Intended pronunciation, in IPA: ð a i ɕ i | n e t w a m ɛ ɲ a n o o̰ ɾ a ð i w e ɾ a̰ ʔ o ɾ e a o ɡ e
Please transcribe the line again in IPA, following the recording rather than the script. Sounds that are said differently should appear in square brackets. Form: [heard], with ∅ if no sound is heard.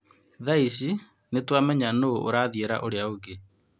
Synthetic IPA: ð a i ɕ i | n e t w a m ɛ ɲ a n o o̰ ɾ a ð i [∅] e ɾ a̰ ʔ o ɾ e a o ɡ e